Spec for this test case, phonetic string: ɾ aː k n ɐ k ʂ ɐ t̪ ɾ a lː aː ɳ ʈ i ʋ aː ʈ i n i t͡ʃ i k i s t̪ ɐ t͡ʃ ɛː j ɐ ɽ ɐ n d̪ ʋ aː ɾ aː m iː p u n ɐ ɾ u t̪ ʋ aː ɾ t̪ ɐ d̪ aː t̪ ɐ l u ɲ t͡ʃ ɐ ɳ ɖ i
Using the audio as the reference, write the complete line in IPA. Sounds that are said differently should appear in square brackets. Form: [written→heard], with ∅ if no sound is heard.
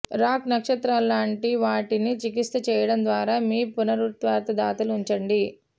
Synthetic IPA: ɾ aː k n ɐ k ʂ ɐ t̪ ɾ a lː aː ɳ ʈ i ʋ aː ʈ i n i t͡ʃ i k i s t̪ ɐ t͡ʃ ɛː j ɐ ɽ ɐ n d̪ ʋ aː ɾ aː m iː p u n ɐ ɾ u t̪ ʋ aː ɾ t̪ ɐ d̪ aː t̪ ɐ l u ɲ t͡ʃ ɐ ɳ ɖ i